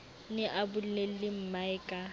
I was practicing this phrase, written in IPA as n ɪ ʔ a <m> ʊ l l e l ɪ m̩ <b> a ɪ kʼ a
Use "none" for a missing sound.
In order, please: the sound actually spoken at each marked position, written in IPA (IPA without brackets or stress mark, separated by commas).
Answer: b, m